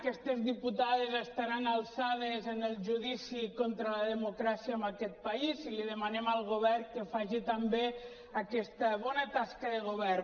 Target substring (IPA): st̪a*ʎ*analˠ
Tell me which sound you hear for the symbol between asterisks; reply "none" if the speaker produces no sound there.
ɾ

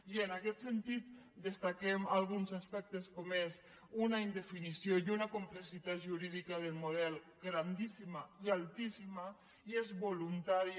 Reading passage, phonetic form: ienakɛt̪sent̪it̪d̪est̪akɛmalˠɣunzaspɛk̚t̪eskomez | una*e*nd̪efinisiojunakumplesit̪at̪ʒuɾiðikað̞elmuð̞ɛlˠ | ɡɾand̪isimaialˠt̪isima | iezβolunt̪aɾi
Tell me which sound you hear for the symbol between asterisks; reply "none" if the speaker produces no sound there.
i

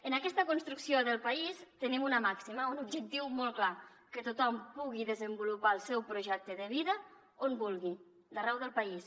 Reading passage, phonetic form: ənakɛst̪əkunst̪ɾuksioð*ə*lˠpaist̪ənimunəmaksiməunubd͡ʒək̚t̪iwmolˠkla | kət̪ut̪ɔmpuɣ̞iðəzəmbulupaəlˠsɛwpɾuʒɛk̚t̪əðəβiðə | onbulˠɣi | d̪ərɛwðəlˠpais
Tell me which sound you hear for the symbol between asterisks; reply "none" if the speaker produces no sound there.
ə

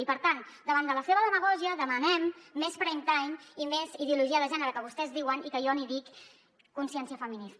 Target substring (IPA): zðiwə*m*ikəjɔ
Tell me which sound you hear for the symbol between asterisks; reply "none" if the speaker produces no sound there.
n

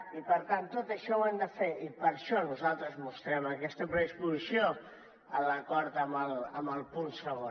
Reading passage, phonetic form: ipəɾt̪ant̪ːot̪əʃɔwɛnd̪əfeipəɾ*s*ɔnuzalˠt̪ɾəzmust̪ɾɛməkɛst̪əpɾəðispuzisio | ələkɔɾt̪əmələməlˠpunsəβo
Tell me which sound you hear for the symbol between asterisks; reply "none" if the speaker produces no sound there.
ʃ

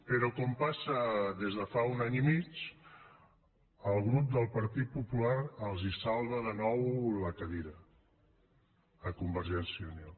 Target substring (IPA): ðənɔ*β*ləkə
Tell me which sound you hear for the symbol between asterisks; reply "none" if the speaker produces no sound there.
w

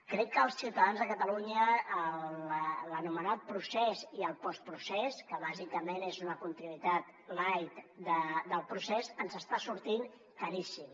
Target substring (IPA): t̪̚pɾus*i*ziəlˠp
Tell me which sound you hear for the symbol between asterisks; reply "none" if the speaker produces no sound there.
ɛ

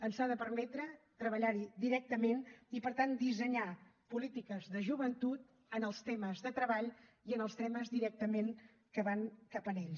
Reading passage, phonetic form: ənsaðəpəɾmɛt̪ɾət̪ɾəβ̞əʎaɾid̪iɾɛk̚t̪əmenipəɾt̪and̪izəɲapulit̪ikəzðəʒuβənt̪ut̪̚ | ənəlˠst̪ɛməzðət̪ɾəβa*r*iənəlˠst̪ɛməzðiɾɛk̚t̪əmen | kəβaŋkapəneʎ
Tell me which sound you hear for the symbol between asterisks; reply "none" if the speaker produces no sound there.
ʎ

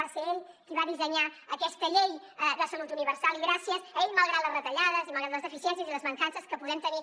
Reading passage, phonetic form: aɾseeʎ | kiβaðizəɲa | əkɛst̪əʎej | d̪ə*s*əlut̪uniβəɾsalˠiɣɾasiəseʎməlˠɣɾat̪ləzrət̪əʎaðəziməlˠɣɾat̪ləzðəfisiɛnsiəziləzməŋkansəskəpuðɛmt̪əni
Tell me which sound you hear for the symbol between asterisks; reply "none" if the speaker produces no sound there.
s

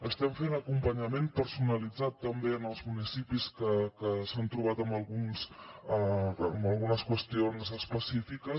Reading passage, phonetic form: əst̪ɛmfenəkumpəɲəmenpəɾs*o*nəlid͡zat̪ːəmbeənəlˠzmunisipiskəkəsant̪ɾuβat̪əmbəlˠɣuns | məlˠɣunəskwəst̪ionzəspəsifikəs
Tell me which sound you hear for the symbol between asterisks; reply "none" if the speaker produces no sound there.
u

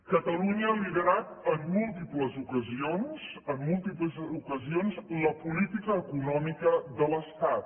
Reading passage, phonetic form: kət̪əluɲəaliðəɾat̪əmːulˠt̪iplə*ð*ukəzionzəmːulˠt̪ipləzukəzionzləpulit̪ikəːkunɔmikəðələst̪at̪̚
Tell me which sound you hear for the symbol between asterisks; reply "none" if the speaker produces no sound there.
z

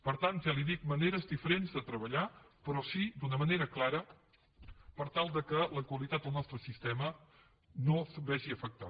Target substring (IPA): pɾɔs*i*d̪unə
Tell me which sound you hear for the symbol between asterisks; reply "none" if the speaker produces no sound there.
i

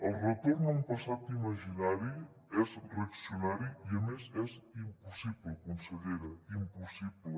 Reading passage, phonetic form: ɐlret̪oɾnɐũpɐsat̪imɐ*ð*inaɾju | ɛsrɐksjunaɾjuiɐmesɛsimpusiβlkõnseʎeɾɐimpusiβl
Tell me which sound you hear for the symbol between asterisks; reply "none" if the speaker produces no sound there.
ʒ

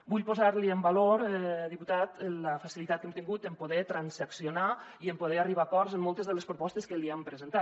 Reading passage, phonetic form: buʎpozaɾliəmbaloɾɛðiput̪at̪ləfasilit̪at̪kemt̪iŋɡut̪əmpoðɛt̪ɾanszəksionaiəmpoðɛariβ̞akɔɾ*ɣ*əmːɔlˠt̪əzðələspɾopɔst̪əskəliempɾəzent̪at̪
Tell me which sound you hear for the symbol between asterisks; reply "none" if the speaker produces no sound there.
z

